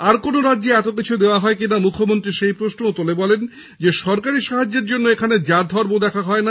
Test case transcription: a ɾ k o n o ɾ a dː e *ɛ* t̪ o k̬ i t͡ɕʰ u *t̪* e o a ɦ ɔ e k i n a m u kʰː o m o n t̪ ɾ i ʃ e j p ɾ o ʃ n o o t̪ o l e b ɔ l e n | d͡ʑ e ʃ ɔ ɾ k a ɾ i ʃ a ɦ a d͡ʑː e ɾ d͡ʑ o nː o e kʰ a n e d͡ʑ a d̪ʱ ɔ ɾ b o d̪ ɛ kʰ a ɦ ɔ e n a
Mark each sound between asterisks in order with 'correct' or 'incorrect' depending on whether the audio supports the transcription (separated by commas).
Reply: correct, incorrect